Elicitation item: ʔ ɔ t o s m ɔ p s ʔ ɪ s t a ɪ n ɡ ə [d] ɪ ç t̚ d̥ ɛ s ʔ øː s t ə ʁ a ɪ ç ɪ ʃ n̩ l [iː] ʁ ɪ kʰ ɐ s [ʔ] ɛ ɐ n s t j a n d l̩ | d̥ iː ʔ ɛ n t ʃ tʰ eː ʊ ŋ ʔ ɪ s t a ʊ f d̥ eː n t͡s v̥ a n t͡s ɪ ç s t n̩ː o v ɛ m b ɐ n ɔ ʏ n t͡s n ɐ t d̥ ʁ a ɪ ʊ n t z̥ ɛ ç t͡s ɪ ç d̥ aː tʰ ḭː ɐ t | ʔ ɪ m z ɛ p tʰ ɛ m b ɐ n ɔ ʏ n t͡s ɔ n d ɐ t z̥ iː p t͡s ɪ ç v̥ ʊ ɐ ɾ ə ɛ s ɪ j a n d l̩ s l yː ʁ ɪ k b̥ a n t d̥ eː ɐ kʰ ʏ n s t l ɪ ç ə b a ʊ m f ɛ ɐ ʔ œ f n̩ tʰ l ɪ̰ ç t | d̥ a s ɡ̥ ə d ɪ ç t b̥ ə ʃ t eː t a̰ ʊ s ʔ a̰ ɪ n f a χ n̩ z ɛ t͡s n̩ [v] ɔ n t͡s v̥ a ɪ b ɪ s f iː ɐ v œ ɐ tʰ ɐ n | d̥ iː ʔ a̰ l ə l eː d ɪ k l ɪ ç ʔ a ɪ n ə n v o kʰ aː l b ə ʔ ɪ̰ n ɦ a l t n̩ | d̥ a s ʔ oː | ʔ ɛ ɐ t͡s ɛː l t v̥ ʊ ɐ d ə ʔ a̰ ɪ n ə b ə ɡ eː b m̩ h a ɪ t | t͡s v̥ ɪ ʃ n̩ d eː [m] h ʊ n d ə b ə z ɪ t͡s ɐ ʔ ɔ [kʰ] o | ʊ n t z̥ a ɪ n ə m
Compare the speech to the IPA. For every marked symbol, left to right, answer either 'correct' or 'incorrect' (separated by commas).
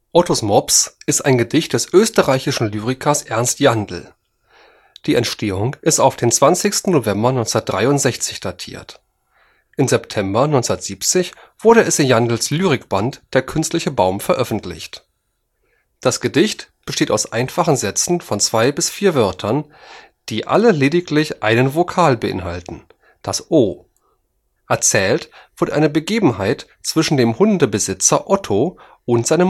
correct, incorrect, correct, incorrect, correct, incorrect